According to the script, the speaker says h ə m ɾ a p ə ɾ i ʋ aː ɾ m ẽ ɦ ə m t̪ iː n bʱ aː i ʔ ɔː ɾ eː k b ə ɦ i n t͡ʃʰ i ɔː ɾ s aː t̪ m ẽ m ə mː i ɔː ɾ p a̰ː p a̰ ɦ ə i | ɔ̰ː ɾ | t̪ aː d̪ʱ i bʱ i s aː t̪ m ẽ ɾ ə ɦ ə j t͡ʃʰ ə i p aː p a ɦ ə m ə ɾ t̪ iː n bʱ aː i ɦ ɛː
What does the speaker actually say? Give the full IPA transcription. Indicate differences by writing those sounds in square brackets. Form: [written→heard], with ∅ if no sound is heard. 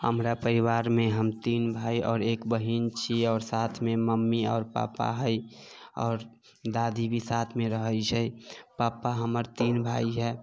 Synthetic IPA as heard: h ə m ɾ a p ə ɾ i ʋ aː ɾ m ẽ ɦ ə m t̪ iː n bʱ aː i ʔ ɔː ɾ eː k b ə ɦ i n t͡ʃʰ i ɔː ɾ s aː [t̪→t̪ʰ] m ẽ m ə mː i ɔː ɾ p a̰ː p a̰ ɦ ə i | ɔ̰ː ɾ | [t̪→d̪] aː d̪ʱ i bʱ i s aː [t̪→t̪ʰ] m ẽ ɾ ə ɦ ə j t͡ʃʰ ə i p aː p a ɦ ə m ə ɾ t̪ iː n bʱ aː i ɦ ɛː